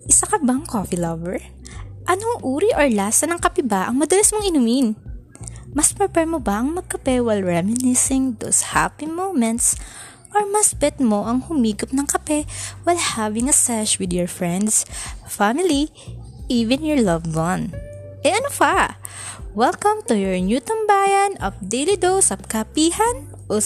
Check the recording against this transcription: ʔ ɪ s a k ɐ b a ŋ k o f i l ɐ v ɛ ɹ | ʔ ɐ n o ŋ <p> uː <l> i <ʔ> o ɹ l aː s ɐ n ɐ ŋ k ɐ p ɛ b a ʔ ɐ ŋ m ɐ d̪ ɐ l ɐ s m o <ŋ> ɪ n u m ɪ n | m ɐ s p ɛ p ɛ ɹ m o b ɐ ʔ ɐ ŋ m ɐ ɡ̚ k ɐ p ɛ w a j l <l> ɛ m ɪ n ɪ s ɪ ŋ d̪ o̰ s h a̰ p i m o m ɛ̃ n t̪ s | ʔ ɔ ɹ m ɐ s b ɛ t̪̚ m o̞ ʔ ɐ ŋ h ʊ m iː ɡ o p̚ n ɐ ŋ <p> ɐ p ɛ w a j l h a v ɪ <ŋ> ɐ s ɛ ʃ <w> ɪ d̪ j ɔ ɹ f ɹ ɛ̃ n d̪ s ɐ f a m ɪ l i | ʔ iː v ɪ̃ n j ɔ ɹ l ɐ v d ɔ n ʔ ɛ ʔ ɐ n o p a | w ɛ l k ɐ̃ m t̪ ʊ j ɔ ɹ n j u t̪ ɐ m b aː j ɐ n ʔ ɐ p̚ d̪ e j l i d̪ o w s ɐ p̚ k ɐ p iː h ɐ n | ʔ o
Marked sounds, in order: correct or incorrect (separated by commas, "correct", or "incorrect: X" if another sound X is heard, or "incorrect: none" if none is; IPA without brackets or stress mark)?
incorrect: ʔ, incorrect: ɾ, correct, correct, incorrect: ɹ, incorrect: k, correct, correct